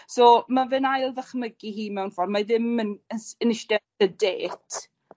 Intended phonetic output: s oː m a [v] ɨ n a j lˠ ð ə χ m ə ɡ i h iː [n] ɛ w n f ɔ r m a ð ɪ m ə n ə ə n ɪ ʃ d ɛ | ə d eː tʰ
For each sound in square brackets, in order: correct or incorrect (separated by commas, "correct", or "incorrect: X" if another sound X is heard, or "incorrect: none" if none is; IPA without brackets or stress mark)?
correct, incorrect: m